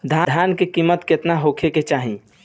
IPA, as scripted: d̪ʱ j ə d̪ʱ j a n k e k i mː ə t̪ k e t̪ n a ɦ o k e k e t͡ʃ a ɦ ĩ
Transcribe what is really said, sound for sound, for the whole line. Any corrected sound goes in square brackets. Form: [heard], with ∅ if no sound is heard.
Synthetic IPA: d̪ʱ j [a] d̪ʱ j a n k e k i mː ə t̪ k e t̪ n a ɦ o [kʰ] e k e t͡ʃ a ɦ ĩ